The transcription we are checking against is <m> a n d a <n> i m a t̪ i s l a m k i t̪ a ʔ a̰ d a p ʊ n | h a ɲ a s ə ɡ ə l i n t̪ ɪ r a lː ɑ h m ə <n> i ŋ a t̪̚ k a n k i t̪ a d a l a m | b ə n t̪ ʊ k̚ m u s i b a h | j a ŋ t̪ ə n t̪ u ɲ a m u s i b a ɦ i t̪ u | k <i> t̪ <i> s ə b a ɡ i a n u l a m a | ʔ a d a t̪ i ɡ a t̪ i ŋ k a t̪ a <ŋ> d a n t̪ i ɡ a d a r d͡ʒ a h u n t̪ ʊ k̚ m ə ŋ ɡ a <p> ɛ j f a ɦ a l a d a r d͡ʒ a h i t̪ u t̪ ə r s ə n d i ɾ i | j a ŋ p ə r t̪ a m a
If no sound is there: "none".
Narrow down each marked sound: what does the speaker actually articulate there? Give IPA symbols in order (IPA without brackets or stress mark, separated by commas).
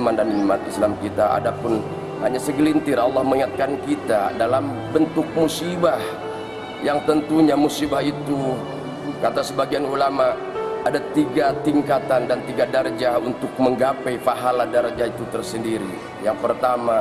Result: m, n, ŋ, a, a, n, p